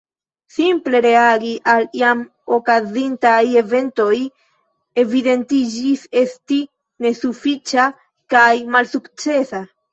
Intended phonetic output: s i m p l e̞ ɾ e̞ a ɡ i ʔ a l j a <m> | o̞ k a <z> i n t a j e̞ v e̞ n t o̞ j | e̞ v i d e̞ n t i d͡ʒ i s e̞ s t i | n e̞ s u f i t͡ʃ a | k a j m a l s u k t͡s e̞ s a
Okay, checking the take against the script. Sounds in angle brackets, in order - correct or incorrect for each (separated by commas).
correct, correct